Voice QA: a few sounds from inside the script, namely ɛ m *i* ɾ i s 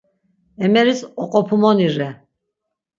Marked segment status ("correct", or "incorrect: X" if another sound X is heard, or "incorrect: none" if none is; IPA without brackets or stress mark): incorrect: ɛ